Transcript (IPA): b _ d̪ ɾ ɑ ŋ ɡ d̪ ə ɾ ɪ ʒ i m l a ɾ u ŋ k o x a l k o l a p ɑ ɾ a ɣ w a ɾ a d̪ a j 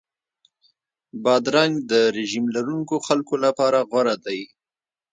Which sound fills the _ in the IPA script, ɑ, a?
ɑ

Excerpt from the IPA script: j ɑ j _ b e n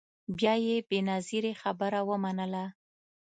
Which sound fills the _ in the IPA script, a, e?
e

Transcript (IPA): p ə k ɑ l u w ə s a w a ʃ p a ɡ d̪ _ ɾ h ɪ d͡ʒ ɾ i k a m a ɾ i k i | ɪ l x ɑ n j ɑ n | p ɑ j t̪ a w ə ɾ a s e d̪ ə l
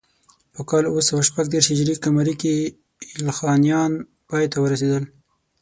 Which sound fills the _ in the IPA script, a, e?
e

